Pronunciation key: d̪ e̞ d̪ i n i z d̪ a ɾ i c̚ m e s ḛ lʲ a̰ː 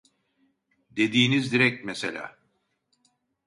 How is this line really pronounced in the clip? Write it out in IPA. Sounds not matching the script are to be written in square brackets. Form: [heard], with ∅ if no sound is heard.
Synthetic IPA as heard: d̪ e̞ d̪ [iː] n i z d̪ [i] ɾ [ɛ] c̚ m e s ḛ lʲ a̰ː